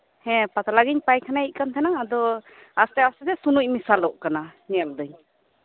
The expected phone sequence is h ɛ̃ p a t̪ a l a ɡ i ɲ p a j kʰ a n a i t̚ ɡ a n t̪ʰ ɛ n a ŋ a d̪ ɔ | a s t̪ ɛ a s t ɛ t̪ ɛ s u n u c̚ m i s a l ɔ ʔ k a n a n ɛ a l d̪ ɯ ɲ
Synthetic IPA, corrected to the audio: h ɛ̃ p a t̪ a l a ɡ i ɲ p a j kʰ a n a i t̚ k a n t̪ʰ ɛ n a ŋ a d̪ ɔ | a s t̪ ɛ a s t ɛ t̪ ɛ s u n u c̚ m i s a l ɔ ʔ k a n a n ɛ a l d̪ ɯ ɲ